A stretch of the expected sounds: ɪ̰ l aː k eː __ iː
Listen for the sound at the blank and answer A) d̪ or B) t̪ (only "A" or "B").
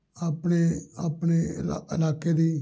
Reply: A